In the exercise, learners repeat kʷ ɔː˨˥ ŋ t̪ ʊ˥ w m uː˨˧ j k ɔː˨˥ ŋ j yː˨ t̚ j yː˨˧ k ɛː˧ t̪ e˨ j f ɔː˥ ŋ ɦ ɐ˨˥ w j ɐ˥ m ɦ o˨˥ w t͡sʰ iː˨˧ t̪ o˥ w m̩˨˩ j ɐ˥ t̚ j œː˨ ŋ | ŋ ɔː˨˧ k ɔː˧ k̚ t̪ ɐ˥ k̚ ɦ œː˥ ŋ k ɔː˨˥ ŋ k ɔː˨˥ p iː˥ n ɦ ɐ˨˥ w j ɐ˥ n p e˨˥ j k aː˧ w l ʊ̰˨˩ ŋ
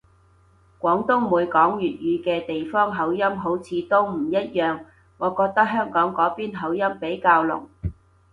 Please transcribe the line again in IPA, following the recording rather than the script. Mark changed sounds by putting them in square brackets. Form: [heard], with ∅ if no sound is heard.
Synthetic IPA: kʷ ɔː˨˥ ŋ t̪ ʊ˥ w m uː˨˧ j k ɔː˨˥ ŋ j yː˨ t̚ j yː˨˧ k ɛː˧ t̪ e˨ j f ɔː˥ ŋ ɦ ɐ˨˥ w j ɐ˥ m ɦ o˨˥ w t͡sʰ iː˨˧ t̪ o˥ w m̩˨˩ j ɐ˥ t̚ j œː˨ ŋ | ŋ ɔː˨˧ k ɔː˧ k̚ t̪ ɐ˥ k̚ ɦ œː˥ ŋ k ɔː˨˥ ŋ k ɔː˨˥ p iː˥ n ɦ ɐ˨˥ w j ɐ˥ [m] p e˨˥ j k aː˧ w l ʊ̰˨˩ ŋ